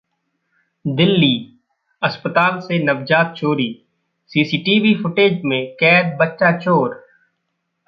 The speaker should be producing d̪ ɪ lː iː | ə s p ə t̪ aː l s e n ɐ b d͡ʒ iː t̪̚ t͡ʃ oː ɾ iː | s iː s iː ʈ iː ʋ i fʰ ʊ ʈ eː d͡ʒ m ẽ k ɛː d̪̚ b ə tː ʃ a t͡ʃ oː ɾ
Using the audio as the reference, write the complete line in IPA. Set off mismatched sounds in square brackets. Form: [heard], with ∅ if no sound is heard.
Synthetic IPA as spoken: d̪ ɪ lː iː | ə s p ə t̪ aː l s e n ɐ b d͡ʒ [aː] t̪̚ t͡ʃ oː ɾ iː | s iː s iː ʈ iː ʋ i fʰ ʊ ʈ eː d͡ʒ m ẽ k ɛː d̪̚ b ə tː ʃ a t͡ʃ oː ɾ